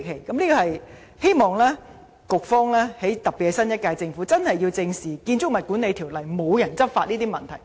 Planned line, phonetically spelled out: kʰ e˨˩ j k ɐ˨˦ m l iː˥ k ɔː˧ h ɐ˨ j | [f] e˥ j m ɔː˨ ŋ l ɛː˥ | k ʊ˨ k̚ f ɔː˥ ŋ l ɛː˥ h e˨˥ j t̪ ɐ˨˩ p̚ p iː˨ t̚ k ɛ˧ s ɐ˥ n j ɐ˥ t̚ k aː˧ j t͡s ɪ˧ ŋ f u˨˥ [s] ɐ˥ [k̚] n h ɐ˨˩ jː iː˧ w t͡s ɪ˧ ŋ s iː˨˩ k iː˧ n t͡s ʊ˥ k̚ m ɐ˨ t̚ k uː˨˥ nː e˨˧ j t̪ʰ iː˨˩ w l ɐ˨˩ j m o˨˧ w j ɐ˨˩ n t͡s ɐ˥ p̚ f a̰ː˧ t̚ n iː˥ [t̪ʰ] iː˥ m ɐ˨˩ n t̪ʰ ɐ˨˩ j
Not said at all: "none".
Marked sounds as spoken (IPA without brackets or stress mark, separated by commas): h, t͡s, none, t̪